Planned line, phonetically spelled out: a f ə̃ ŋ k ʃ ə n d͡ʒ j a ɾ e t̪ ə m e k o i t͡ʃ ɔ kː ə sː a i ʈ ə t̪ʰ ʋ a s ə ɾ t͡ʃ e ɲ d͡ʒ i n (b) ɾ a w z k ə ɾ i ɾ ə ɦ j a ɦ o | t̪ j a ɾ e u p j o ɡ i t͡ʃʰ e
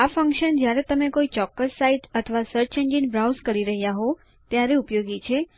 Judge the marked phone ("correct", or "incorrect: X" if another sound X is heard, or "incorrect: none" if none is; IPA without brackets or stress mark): correct